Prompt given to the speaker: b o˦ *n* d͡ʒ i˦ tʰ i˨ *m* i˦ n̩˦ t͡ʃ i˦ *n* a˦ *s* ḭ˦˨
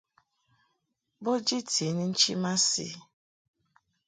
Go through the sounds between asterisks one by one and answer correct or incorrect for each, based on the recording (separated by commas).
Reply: incorrect, incorrect, incorrect, correct